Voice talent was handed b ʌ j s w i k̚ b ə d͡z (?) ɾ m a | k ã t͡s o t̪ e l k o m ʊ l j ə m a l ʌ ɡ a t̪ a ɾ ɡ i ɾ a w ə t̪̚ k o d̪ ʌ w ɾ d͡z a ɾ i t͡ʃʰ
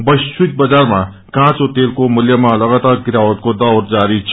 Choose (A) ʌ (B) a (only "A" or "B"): B